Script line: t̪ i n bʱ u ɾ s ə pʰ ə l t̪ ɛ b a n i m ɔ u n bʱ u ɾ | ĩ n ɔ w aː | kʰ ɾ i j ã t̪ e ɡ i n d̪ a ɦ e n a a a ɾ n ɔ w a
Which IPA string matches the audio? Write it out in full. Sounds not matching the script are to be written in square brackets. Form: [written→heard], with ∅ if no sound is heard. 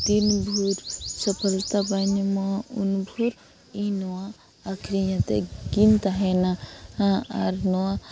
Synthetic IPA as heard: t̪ i n bʱ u ɾ s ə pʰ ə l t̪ [ɛ→a] b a n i m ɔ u n bʱ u ɾ | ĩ n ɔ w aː | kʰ ɾ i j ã t̪ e ɡ i n [d̪→t̪] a ɦ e n a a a ɾ n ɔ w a